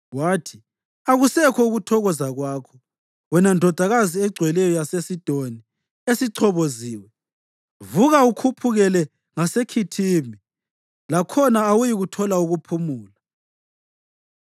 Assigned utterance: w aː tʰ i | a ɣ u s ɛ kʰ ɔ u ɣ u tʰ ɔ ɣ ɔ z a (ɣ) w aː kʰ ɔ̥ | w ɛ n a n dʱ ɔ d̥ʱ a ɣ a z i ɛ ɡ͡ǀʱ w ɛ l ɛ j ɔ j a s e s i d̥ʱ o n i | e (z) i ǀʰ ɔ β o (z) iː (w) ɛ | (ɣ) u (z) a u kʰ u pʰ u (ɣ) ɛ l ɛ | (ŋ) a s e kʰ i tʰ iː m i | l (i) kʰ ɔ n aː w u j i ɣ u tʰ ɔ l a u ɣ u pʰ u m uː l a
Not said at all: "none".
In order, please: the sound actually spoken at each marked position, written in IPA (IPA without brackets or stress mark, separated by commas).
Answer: ɣ, s, z, w, v, ɣ, ɣ, ŋ, a